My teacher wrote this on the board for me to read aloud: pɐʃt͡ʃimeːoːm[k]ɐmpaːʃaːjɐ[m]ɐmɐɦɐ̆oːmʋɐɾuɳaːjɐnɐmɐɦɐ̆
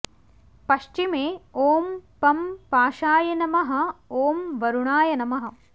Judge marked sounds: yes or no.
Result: no, no

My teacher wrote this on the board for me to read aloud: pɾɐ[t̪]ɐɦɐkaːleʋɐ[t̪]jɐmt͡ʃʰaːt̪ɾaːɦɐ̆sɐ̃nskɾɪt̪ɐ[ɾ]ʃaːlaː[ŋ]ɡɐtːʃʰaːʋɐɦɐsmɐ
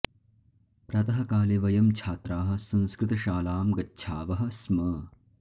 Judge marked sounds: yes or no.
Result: yes, no, no, no

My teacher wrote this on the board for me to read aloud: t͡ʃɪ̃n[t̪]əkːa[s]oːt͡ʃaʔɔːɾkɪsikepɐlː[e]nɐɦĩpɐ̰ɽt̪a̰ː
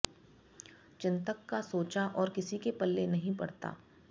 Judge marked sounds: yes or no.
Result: yes, yes, yes

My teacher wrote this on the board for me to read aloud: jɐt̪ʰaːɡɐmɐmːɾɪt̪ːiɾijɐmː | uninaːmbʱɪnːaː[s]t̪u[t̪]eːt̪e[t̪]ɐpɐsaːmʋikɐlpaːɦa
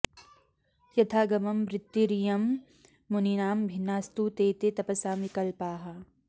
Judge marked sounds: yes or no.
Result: yes, yes, yes

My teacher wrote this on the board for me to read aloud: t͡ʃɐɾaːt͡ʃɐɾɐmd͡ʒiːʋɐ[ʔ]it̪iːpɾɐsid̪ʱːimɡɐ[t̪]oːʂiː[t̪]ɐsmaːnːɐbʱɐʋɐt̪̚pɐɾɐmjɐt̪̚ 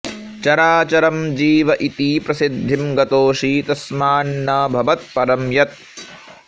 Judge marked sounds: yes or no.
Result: yes, yes, yes

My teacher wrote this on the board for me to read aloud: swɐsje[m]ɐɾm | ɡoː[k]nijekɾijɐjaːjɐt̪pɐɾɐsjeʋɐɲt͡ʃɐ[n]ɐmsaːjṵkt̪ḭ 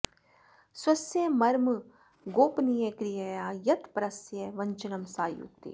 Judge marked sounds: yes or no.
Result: yes, no, yes

